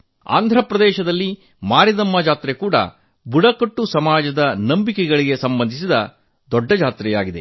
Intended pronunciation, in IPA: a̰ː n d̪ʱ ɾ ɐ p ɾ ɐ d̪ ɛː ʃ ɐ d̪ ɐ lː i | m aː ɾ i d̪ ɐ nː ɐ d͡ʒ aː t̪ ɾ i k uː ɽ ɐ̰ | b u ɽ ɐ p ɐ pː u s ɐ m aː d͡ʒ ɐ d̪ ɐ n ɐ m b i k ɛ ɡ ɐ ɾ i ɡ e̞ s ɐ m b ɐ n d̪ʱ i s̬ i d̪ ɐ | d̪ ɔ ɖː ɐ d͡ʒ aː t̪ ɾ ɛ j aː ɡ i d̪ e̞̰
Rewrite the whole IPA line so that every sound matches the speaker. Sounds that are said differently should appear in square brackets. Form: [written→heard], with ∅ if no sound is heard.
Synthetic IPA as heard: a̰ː n d̪ʱ ɾ ɐ p ɾ ɐ d̪ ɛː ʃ ɐ d̪ ɐ lː i | m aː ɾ i d̪ ɐ [nː→mː] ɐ d͡ʒ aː t̪ ɾ [i→e] k uː ɽ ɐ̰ | b u ɽ ɐ [p→k] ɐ [pː→ʈː] u s ɐ m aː d͡ʒ ɐ d̪ ɐ n ɐ m b i k ɛ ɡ ɐ [ɾ→ɭ] i ɡ e̞ s ɐ m b ɐ n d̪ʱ i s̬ i d̪ ɐ | d̪ ɔ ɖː ɐ d͡ʒ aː t̪ ɾ ɛ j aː ɡ i d̪ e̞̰